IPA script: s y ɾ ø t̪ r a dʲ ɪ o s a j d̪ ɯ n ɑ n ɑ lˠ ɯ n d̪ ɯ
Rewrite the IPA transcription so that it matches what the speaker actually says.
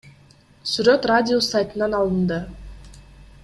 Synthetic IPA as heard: s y ɾ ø t̪ r a dʲ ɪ o s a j t̪ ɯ n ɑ n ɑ lˠ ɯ n d̪ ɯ